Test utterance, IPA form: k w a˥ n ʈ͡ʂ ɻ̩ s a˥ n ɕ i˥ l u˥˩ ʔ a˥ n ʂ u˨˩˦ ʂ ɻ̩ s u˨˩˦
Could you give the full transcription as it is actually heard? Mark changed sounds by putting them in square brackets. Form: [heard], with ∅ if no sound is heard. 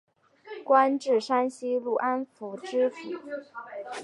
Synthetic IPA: k w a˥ n ʈ͡ʂ ɻ̩ [ʂ] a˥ n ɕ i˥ l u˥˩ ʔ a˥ n [f] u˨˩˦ [ʈ͡ʂ] ɻ̩ [f] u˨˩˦